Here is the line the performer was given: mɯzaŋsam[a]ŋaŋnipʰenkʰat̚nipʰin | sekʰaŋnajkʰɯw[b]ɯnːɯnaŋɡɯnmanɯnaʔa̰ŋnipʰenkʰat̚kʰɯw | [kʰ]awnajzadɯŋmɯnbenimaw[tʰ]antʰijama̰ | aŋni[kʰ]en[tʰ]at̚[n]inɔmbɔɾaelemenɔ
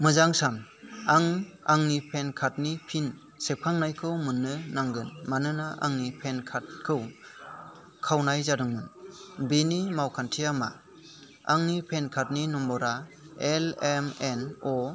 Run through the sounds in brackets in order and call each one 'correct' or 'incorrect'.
correct, incorrect: m, correct, incorrect: kʰ, incorrect: pʰ, incorrect: kʰ, correct

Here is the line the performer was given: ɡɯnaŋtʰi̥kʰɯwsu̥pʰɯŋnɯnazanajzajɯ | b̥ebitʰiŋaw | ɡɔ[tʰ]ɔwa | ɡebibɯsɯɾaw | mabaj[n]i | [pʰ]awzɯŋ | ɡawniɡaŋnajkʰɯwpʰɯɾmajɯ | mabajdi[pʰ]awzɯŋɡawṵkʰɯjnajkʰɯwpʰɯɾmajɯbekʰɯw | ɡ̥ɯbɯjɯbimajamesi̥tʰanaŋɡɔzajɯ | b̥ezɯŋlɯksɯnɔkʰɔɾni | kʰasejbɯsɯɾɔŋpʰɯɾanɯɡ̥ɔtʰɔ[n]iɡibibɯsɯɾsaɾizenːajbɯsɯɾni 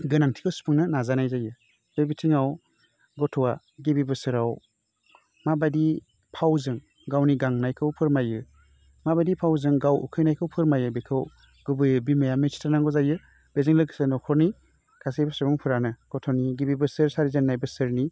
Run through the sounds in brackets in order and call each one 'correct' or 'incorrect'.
correct, incorrect: d, correct, correct, correct

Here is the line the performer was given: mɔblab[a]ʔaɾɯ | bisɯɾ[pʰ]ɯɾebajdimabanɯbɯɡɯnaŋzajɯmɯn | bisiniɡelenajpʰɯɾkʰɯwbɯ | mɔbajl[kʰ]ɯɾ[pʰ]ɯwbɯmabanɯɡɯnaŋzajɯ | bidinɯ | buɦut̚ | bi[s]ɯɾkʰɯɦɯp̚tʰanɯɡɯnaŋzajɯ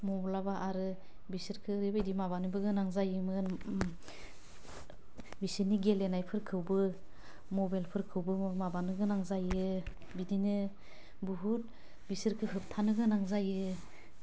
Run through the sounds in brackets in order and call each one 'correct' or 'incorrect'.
correct, incorrect: kʰ, incorrect: pʰ, incorrect: kʰ, correct

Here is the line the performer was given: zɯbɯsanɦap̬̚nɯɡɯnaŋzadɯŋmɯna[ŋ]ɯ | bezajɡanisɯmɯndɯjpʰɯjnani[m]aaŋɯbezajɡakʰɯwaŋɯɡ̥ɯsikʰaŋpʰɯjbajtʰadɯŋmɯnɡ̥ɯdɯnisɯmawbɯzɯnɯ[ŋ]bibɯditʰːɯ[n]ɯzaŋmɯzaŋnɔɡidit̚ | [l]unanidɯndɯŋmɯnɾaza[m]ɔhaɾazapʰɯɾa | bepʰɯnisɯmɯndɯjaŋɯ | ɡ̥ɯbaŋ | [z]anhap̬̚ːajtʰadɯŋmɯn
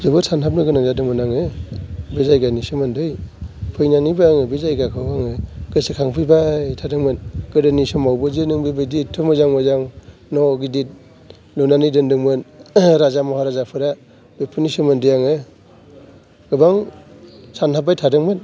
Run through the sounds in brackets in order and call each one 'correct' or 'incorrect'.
correct, incorrect: b, correct, incorrect: m, correct, correct, incorrect: s

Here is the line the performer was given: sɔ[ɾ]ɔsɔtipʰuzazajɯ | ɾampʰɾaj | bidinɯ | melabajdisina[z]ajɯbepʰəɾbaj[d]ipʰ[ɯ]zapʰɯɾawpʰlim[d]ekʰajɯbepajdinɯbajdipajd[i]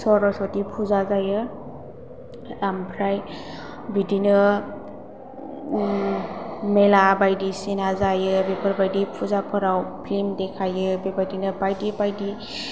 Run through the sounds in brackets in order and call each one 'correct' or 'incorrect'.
correct, correct, correct, incorrect: u, correct, correct

